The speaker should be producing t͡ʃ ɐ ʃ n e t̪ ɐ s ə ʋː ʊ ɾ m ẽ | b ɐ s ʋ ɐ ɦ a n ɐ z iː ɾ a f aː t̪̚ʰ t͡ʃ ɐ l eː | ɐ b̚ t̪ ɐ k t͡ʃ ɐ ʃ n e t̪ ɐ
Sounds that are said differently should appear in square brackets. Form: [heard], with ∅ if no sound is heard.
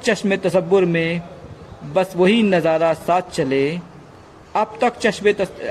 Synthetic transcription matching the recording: t͡ʃ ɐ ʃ [m] e t̪ ɐ s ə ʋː ʊ ɾ m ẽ | b ɐ s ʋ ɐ ɦ [i] n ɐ z [aː] ɾ a [s] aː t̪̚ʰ t͡ʃ ɐ l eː | ɐ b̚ t̪ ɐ k t͡ʃ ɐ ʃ [m] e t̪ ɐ